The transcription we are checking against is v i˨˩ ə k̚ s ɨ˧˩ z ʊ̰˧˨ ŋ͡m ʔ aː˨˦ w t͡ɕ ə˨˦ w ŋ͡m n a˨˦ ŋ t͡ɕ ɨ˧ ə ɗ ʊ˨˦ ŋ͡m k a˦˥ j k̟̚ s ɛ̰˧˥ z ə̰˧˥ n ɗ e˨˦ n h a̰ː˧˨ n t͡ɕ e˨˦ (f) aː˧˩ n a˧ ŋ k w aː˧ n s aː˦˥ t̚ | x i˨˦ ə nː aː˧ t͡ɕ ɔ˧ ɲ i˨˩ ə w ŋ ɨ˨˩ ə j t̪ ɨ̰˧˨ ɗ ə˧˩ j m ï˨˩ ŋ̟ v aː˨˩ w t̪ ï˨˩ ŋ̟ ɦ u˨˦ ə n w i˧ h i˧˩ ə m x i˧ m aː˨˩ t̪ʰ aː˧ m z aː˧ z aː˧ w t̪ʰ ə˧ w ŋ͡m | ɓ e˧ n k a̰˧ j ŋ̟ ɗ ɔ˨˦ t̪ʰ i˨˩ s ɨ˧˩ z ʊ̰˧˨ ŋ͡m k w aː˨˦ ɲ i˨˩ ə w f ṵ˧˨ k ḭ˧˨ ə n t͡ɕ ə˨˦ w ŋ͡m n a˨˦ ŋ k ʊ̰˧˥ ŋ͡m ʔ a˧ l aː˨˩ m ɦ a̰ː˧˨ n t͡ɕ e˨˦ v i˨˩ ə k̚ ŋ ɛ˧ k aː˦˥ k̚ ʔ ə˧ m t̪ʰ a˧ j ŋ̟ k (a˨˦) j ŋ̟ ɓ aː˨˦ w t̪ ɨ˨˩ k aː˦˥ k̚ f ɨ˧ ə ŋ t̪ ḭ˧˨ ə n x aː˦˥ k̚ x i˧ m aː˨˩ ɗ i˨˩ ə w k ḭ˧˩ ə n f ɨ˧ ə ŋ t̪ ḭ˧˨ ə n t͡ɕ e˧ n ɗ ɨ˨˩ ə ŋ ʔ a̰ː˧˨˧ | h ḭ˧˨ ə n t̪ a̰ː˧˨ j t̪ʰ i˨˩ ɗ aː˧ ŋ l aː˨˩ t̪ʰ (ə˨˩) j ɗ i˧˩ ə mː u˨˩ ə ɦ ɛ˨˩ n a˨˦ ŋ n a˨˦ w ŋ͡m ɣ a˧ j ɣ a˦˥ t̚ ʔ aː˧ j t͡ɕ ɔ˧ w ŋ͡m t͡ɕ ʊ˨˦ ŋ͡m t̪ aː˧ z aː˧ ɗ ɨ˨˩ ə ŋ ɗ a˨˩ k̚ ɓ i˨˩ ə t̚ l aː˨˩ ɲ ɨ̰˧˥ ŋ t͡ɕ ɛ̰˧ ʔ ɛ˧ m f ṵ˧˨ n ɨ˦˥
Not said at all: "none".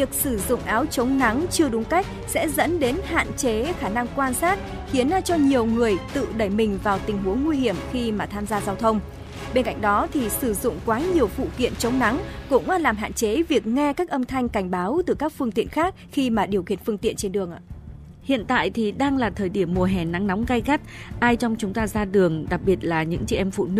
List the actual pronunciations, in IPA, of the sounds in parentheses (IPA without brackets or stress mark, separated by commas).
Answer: x, a˧˩, əː˨˩